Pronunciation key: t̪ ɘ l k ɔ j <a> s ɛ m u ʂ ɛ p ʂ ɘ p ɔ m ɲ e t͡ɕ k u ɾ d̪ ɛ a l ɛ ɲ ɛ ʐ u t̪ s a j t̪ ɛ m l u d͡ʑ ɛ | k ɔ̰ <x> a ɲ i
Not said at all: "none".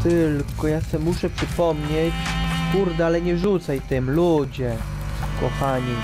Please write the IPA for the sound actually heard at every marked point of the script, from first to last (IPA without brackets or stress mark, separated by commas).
a, x